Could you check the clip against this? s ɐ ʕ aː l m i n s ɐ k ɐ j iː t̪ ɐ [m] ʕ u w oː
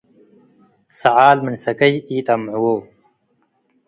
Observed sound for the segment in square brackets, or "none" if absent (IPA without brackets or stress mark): m